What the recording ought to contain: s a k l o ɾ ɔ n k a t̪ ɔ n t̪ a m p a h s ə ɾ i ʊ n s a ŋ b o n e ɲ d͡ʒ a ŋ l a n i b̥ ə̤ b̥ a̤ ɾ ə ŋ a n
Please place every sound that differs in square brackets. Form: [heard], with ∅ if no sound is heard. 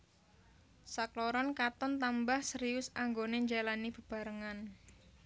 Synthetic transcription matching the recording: s a k l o ɾ ɔ n k a t̪ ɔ n t̪ a m [b] a h s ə ɾ i ʊ [∅] s a ŋ [ɡ] o n e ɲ d͡ʒ a [∅] l a n i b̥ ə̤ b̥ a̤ ɾ ə ŋ a n